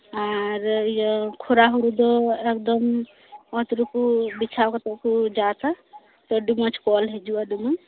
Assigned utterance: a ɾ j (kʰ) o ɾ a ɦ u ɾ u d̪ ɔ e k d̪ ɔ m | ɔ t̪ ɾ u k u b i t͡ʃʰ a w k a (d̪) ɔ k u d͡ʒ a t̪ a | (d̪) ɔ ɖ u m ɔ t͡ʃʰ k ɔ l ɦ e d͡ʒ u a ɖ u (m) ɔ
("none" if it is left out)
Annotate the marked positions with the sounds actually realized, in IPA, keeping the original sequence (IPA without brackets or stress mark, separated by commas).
kʰ, t̪, t̪, m